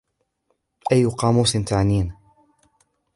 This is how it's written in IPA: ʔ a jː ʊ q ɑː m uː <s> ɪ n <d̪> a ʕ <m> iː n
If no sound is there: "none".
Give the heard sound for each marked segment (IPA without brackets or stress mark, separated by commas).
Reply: s, t̪, n